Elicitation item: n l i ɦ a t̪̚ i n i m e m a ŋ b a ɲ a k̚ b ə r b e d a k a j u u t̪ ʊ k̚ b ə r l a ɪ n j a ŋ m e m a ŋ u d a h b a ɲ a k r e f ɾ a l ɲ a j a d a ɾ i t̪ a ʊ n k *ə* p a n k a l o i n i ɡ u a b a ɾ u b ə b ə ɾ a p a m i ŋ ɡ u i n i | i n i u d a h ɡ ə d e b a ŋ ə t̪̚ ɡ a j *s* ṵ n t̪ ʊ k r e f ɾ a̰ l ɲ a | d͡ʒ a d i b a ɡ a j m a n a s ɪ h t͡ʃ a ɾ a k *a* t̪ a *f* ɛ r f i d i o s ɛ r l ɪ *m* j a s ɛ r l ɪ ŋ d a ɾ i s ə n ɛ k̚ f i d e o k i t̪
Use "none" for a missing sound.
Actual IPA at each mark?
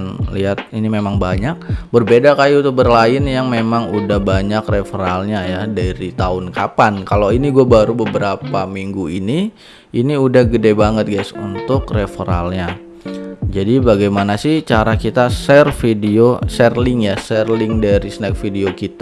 a, s, i, s, ŋ

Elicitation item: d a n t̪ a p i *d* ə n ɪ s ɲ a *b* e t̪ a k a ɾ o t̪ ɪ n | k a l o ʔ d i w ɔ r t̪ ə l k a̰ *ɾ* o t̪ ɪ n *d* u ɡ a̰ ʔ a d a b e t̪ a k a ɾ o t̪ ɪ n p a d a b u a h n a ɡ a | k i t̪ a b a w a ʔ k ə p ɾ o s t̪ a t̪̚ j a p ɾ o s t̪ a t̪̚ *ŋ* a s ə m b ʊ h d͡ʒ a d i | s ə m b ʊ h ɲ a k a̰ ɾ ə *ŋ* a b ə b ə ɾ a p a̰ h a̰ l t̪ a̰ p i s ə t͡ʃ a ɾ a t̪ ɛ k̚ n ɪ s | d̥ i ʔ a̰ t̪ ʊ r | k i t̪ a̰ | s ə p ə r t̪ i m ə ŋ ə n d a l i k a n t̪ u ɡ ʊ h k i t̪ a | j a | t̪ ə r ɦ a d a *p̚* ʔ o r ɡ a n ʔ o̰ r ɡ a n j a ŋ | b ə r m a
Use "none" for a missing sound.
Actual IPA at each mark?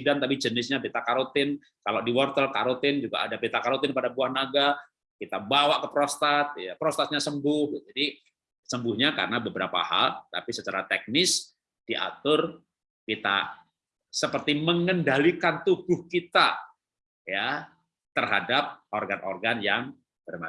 d͡ʒ, b, ɾ, d͡ʒ, ɲ, n, p̚

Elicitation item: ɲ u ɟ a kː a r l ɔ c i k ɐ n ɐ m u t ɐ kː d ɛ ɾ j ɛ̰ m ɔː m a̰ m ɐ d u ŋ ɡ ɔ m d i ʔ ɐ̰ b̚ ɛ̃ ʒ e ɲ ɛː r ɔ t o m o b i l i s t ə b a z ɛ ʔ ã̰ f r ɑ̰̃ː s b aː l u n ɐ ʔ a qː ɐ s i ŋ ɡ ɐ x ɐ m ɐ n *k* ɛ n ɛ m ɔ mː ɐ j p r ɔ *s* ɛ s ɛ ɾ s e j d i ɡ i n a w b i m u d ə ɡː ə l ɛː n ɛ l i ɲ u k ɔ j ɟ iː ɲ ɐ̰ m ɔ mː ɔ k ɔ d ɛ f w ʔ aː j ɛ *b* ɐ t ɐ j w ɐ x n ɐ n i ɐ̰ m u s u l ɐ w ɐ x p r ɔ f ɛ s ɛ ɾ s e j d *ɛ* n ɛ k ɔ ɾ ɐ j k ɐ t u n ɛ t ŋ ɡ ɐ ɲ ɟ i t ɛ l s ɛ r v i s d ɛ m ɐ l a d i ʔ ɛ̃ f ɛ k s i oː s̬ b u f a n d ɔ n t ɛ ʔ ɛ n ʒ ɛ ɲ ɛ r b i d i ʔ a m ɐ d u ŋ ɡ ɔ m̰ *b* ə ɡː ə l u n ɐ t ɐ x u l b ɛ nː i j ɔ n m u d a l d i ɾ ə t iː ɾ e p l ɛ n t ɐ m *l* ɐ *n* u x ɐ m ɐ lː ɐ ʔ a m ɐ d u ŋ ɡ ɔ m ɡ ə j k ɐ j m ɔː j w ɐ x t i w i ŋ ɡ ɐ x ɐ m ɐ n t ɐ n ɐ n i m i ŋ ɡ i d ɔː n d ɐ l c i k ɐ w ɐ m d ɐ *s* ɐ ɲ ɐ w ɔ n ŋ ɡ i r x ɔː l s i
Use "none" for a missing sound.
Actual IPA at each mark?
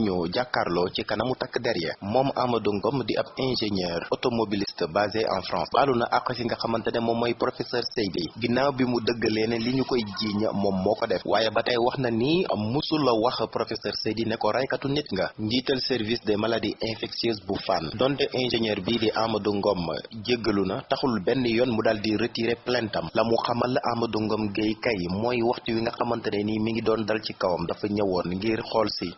t, f, b, i, ɟ, l, m, f

